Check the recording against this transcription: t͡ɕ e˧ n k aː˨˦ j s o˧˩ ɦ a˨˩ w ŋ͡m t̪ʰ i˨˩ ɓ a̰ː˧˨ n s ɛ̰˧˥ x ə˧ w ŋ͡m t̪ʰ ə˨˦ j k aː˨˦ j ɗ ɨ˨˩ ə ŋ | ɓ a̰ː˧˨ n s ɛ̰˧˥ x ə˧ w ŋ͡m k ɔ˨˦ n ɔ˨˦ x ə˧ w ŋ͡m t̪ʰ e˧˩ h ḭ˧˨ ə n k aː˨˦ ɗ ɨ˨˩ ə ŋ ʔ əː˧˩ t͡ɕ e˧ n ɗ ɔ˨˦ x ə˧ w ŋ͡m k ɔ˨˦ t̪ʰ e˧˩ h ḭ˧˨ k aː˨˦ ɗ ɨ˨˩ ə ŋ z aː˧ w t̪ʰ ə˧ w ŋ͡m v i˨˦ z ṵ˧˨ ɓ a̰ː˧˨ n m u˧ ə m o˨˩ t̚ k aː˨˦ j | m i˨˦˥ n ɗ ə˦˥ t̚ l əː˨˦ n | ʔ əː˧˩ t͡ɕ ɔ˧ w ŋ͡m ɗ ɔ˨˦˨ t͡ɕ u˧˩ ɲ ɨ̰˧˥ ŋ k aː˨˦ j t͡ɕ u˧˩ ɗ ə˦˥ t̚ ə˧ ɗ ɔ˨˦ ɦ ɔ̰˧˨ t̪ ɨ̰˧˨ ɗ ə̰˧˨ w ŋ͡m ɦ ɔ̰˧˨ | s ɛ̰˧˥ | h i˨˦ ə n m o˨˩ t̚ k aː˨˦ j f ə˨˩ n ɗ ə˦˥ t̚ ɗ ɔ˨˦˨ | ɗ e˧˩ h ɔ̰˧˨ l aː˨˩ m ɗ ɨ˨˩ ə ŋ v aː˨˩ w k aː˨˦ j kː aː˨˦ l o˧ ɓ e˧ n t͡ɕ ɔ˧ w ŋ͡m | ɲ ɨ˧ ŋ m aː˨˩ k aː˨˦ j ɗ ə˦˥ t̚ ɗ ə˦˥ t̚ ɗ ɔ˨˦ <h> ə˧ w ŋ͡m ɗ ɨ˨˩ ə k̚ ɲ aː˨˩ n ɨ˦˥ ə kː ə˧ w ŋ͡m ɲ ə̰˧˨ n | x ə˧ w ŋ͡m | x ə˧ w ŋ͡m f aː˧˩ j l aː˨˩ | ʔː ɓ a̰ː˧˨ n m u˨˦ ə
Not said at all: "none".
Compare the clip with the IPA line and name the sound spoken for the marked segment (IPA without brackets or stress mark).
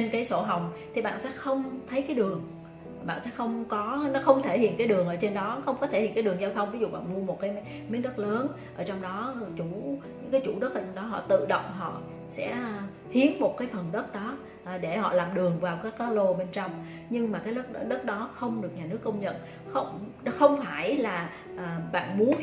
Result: x